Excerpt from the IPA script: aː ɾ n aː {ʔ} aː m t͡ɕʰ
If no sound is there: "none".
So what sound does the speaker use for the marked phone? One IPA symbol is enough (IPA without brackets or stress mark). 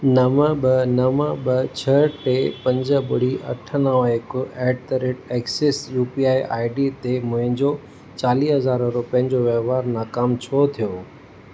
k